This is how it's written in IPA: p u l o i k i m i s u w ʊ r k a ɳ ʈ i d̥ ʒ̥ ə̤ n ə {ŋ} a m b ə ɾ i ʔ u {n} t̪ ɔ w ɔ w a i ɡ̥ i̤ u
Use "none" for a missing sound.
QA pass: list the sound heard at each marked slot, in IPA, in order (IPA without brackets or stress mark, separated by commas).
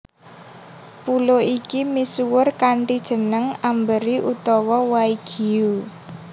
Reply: ŋ, none